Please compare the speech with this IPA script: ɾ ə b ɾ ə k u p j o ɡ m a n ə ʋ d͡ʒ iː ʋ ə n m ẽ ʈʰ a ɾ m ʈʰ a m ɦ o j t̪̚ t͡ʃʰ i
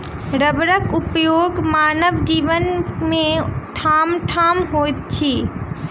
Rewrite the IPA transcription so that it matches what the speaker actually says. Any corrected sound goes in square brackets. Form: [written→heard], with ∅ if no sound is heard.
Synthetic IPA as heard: ɾ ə b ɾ ə k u p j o ɡ m a n ə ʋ d͡ʒ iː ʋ ə n m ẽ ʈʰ a [ɾ→∅] m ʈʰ a m ɦ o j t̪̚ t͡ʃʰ i